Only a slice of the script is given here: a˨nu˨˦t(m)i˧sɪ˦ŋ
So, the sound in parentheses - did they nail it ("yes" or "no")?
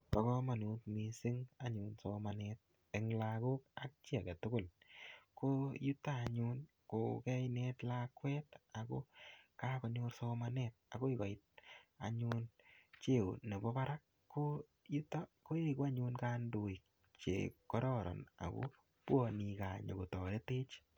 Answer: yes